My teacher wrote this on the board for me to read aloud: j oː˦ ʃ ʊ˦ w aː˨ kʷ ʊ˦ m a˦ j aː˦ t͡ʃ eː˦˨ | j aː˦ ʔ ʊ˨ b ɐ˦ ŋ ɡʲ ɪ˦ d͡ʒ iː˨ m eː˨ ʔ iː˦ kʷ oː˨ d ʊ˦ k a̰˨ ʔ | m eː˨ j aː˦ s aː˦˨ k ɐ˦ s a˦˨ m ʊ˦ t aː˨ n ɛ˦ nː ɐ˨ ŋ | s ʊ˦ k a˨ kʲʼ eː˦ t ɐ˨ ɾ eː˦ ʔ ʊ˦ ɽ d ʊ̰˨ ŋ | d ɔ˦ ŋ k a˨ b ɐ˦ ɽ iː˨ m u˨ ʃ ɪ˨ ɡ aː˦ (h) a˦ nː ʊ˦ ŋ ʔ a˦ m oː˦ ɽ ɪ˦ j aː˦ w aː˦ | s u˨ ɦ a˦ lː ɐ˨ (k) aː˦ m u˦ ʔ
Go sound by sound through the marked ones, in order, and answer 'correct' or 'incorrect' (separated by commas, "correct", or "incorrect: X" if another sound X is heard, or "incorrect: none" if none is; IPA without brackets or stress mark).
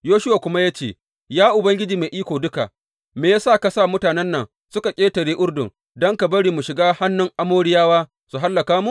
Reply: correct, correct